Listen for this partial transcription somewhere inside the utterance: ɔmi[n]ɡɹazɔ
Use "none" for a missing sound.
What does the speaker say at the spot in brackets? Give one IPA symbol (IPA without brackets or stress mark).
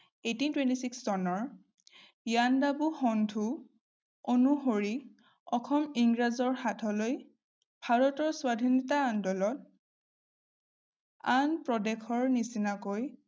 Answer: ŋ